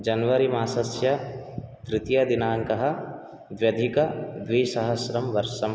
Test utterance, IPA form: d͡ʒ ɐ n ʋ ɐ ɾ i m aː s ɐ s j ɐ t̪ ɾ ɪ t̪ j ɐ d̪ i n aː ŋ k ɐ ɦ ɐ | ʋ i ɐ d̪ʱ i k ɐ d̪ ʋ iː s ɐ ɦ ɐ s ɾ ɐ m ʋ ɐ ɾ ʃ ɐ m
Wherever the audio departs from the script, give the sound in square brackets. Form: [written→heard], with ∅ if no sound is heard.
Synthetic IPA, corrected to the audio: d͡ʒ ɐ n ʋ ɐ ɾ i m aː s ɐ s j ɐ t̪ ɾ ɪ t̪ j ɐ d̪ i n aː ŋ k ɐ ɦ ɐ | ʋ [i→j] ɐ d̪ʱ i k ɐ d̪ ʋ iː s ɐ ɦ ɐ s ɾ ɐ m ʋ ɐ ɾ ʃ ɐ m

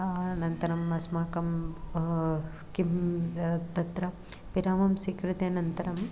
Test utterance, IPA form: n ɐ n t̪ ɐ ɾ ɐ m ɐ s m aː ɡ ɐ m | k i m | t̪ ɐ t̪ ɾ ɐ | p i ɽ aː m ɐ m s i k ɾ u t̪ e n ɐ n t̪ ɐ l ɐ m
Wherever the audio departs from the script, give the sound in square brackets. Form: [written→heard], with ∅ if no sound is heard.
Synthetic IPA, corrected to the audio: n ɐ n t̪ ɐ ɾ ɐ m ɐ s m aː [ɡ→k] ɐ m | k i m | t̪ ɐ t̪ ɾ ɐ | p i [ɽ→ɾ] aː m ɐ m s i k ɾ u t̪ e n ɐ n t̪ ɐ [l→ɾ] ɐ m

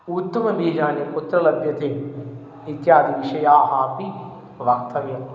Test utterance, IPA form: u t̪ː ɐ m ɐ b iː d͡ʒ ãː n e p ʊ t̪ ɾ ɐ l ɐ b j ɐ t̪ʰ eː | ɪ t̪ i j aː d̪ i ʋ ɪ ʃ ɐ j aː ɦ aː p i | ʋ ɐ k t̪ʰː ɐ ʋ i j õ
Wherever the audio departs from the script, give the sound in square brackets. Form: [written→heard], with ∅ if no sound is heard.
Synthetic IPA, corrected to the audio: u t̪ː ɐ m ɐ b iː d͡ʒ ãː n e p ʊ t̪ ɾ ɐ l ɐ b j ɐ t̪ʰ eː | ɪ t̪ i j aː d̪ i ʋ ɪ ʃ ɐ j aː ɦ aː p i | ʋ ɐ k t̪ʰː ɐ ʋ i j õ

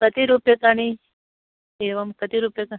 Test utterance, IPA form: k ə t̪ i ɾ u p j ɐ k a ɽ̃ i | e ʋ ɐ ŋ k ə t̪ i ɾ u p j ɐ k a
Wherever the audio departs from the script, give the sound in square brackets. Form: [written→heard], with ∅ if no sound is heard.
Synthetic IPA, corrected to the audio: k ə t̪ i ɾ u p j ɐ k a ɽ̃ i | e ʋ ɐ [ŋ→m] k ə t̪ i ɾ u p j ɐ k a

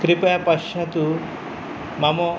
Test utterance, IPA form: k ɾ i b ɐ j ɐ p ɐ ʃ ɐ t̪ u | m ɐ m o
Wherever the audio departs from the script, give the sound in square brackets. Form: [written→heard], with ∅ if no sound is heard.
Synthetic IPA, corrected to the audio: k ɾ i [b→p] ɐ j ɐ p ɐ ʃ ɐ t̪ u | m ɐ m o

